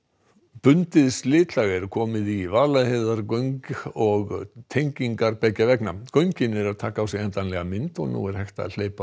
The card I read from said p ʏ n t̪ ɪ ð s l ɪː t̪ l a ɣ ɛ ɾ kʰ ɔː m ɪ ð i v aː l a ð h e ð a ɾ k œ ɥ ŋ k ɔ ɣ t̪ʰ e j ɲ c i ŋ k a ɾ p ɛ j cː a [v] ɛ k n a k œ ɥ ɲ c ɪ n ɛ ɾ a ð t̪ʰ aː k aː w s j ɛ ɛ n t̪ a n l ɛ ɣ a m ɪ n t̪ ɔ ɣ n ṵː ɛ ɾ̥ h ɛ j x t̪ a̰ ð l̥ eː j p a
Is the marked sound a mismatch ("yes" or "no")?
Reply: no